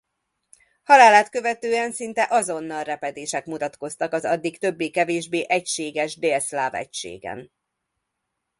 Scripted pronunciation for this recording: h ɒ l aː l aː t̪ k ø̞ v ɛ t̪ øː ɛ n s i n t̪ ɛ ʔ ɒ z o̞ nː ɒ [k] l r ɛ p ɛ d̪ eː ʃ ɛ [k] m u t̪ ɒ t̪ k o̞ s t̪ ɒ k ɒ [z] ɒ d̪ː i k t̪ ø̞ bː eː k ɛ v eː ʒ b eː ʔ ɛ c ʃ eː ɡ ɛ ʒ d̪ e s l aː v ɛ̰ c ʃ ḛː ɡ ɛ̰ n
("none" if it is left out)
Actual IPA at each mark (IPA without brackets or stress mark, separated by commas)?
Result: none, k, z